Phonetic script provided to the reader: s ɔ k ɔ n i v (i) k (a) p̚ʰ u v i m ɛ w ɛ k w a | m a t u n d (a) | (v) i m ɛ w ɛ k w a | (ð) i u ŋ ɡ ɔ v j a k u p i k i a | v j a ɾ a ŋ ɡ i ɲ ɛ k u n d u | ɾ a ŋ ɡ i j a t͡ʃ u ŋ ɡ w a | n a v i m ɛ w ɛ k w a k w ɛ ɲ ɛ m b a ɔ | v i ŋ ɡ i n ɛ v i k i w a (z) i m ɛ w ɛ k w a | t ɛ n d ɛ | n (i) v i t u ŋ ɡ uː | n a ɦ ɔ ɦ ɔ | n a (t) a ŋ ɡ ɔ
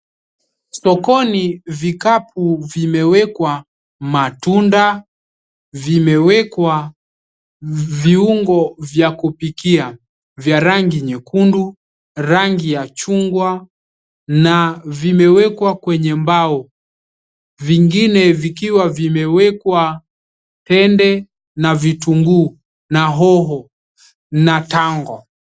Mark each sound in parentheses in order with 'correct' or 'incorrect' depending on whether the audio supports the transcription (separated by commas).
correct, correct, correct, correct, incorrect, incorrect, incorrect, correct